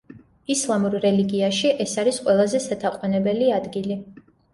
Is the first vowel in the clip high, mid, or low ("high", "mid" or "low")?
high